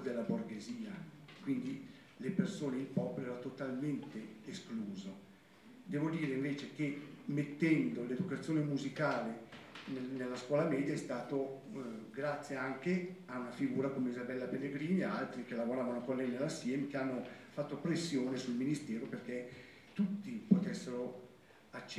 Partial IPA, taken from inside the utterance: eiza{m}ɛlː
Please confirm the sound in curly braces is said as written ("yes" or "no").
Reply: no